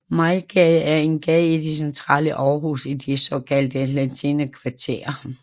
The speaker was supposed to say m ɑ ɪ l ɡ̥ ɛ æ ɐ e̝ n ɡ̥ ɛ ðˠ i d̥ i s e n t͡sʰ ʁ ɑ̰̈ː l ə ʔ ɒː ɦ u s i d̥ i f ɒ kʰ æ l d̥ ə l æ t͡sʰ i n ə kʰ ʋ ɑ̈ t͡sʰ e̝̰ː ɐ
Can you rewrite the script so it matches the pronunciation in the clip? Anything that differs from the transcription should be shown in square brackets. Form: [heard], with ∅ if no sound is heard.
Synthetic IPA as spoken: m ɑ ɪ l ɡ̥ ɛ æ ɐ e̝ n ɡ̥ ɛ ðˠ i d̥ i s e n t͡sʰ ʁ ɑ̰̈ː l ə ʔ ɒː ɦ u s i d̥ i [s] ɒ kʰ æ l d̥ ə l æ t͡sʰ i n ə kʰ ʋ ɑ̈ t͡sʰ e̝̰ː ɐ